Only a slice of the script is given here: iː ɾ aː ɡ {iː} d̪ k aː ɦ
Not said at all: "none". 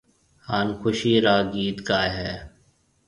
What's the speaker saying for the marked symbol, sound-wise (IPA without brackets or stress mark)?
iː